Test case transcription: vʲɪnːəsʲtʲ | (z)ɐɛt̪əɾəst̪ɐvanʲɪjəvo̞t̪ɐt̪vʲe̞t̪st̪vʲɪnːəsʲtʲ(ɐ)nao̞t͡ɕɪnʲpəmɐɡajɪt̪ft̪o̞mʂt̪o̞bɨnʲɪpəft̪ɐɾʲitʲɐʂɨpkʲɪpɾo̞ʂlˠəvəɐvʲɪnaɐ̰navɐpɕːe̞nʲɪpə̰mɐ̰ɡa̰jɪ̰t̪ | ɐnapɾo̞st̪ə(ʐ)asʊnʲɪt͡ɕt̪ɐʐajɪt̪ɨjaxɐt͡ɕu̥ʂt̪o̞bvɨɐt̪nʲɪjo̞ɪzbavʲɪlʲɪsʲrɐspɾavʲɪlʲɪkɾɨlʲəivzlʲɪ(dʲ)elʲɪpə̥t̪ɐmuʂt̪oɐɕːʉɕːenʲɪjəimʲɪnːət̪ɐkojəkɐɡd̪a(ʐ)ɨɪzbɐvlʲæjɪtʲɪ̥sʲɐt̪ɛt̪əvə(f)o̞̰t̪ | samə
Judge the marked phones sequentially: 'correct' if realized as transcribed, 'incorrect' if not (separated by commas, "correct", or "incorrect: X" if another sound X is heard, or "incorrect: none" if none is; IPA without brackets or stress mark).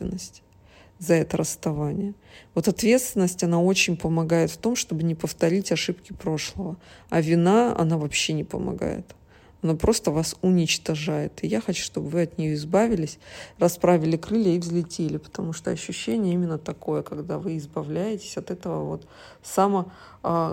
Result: correct, correct, incorrect: v, incorrect: tʲ, incorrect: v, incorrect: v